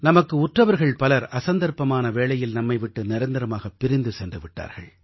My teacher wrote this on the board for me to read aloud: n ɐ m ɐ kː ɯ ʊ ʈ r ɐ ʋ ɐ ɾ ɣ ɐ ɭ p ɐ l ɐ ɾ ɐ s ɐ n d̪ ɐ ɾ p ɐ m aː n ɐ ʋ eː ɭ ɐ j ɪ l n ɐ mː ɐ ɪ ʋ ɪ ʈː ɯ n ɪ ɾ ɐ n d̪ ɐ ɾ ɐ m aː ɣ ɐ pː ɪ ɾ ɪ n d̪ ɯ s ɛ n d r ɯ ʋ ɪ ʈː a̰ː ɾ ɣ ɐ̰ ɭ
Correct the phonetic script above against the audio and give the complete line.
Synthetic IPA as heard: n ɐ m ɐ kː ɯ ʊ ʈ r ɐ ʋ ɐ ɾ ɣ ɐ ɭ p ɐ l ɐ ɾ ɐ s ɐ n d̪ ɐ ɾ p ɐ m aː n ɐ ʋ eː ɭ ɐ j ɪ l n ɐ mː ɐ ɪ ʋ ɪ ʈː ɯ n ɪ ɾ ɐ n d̪ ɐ ɾ ɐ m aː ɣ ɐ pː ɪ ɾ ɪ n d̪ ɯ s ɛ n d r ɯ ʋ ɪ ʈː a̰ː ɾ ɣ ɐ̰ ɭ